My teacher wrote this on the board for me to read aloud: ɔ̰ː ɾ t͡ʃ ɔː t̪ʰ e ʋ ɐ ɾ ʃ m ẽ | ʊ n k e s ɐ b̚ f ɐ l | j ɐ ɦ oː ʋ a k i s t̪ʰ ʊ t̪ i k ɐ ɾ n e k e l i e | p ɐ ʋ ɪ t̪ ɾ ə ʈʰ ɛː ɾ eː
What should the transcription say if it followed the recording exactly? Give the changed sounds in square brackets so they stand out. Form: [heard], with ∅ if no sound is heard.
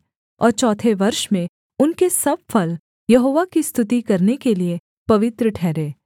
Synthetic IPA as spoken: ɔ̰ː ɾ t͡ʃ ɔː t̪ʰ e ʋ ɐ ɾ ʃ m ẽ | ʊ n k e s ɐ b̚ f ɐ l | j ɐ ɦ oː ʋ a k i s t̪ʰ ʊ t̪ i k ɐ ɾ n e k e l i e | p ɐ ʋ ɪ t̪ ɾ ə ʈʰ ɛː ɾ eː